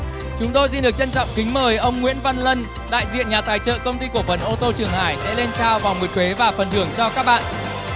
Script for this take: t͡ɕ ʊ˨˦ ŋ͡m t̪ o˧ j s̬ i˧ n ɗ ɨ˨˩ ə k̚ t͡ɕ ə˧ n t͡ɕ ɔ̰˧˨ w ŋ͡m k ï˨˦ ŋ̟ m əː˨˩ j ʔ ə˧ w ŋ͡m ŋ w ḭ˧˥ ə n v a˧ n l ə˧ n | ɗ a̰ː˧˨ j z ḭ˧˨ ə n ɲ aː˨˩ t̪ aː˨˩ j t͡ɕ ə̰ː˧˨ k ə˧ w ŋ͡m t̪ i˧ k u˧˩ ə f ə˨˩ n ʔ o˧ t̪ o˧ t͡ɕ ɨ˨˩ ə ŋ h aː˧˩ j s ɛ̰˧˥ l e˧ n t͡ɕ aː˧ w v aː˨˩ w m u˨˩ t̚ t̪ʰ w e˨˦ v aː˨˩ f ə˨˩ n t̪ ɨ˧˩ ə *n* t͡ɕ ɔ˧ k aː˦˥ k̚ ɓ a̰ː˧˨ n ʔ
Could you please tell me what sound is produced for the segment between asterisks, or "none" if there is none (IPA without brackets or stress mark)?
ŋ